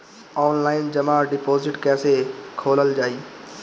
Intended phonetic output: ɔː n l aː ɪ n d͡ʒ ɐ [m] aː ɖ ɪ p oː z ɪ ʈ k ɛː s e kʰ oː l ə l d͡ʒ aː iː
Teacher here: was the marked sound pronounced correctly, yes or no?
yes